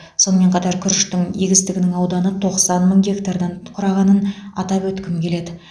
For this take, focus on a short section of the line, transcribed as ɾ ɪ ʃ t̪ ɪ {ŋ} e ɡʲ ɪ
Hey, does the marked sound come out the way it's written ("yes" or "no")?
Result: yes